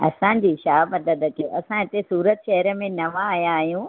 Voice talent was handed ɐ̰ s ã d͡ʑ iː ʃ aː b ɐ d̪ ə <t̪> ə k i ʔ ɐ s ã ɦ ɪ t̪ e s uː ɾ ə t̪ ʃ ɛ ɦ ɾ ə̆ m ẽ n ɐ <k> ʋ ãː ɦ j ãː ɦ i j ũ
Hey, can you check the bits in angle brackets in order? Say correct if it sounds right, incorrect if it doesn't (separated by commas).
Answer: incorrect, incorrect